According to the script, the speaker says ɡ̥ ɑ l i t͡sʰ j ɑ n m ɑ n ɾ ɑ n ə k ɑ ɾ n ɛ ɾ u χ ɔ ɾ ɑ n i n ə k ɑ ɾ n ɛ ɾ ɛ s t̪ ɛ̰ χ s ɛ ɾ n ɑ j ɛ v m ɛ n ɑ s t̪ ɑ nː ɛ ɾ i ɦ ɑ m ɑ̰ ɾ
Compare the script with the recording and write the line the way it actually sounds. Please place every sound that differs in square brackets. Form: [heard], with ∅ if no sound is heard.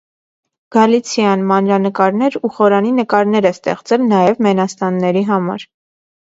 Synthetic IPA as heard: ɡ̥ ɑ l i t͡sʰ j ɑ n m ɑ n ɾ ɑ n ə k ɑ ɾ n ɛ ɾ u χ ɔ ɾ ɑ n i n ə k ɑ ɾ n ɛ ɾ ɛ s t̪ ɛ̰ χ [t͡s] ɛ [l] n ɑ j ɛ v m ɛ n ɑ s t̪ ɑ nː ɛ ɾ i ɦ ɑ m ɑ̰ ɾ